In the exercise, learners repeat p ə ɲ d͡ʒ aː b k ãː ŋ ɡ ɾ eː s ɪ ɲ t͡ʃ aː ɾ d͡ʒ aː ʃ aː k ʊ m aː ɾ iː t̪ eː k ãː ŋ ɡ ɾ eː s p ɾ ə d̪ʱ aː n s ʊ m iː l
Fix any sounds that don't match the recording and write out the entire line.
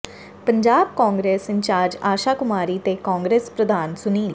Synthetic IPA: p ə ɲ d͡ʒ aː b k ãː ŋ ɡ ɾ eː s ɪ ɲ t͡ʃ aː ɾ d͡ʒ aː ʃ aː k ʊ m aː ɾ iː t̪ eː k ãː ŋ ɡ ɾ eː s p ɾ ə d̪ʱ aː n s ʊ n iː l